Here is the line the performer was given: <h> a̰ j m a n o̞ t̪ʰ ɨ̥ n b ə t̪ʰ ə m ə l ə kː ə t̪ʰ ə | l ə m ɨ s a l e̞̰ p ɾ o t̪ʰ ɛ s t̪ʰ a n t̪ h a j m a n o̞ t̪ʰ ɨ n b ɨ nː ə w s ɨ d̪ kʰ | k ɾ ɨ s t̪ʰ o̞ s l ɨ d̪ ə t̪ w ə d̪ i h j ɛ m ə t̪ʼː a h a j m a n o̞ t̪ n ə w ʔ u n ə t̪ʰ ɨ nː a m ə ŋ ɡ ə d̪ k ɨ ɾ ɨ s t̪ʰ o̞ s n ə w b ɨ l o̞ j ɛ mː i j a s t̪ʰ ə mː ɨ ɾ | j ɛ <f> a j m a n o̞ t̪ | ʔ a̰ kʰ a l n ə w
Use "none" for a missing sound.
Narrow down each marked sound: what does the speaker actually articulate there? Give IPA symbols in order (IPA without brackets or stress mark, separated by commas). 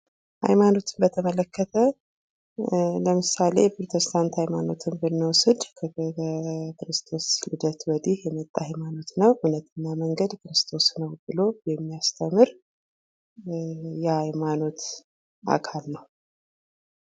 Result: h, h